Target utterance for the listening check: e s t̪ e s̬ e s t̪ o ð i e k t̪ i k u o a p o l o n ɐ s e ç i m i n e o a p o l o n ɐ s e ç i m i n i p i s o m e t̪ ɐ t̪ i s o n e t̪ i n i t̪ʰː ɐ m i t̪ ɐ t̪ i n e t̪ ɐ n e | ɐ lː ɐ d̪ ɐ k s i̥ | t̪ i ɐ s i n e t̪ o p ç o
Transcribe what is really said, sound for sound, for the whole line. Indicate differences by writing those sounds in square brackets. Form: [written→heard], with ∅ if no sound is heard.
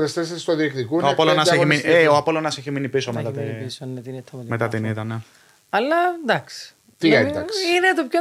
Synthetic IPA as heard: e s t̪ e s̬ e s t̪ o ð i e k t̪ i k u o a p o l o n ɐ s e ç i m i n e o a p o l o n ɐ s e ç i m i n i p i s o m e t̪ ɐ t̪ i s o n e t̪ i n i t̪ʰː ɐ m [i→e] t̪ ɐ t̪ i n [e→i] t̪ ɐ n e | ɐ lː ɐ d̪ ɐ k s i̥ | t̪ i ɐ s i n e t̪ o p ç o